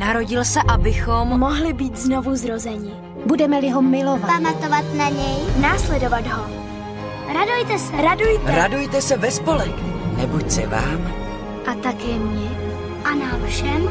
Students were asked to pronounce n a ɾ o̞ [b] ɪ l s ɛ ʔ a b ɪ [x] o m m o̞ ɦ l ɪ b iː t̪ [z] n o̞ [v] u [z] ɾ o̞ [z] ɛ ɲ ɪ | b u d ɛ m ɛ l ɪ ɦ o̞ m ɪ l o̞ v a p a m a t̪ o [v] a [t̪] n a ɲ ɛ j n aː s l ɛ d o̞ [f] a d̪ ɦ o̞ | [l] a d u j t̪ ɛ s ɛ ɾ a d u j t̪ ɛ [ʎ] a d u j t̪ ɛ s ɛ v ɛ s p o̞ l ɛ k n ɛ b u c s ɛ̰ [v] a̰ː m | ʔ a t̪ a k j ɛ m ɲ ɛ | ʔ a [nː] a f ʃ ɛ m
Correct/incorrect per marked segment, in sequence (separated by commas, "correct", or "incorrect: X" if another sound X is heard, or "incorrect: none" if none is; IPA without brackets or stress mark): incorrect: ɟ, correct, correct, correct, correct, correct, correct, correct, incorrect: v, incorrect: ɾ, incorrect: ɾ, correct, incorrect: n